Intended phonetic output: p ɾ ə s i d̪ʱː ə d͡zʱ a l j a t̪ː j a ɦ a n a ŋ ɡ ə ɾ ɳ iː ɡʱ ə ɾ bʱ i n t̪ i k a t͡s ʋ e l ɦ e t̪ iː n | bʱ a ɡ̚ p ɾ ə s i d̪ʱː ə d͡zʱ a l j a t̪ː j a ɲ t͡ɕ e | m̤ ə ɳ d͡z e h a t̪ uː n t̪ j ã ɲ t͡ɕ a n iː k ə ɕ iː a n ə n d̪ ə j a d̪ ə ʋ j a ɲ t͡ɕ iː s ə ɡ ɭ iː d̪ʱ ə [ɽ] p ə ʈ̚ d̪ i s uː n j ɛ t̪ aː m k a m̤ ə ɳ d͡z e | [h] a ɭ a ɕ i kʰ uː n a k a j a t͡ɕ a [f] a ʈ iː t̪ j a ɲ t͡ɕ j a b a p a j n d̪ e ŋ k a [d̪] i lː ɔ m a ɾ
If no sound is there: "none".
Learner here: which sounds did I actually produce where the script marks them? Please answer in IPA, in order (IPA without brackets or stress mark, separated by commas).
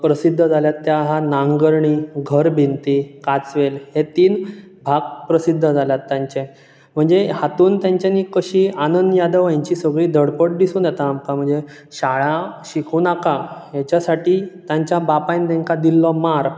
ɽ, ɕ, s, d̪